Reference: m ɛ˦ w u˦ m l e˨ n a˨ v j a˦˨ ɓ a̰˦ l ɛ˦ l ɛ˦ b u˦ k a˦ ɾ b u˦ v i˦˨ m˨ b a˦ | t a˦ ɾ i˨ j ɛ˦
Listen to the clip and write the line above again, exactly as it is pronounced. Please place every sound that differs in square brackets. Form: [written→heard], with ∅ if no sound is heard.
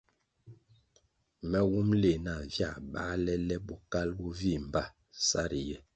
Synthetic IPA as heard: m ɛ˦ w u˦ m l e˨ n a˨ v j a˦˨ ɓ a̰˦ l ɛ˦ l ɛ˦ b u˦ k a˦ [ɾ→l] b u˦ v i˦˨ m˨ b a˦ | [t→s] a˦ ɾ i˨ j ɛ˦